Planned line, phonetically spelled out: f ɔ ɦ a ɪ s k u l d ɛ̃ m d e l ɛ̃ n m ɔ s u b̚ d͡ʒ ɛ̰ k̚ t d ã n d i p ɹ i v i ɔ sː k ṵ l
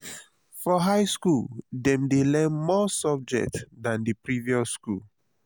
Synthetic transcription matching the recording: f ɔ ɦ a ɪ s k u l d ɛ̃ m d e l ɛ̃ n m ɔ s ɔ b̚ d͡ʒ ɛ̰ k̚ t d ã n d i p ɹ i v i ɔ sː k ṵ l